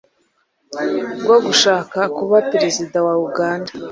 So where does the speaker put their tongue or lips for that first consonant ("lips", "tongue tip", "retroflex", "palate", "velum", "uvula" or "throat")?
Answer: velum